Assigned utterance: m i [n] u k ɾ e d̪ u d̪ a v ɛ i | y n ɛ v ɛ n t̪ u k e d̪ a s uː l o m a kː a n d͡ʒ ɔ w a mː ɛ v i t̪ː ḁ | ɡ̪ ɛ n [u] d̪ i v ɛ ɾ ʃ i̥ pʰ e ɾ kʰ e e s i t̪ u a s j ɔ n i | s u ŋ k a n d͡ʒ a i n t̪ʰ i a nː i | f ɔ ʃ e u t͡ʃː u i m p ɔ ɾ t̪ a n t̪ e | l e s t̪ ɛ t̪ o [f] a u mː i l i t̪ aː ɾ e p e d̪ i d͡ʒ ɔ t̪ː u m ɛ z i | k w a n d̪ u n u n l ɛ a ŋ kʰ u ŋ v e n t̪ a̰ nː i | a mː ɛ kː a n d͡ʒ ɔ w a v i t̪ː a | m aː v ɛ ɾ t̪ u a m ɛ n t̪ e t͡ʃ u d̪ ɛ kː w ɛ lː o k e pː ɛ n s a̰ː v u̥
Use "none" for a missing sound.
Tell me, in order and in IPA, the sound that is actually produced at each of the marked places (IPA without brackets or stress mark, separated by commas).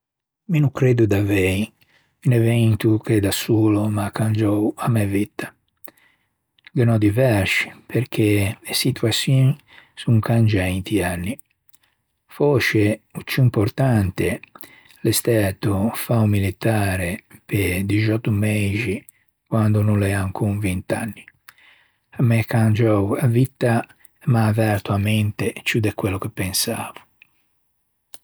n, ɔ, f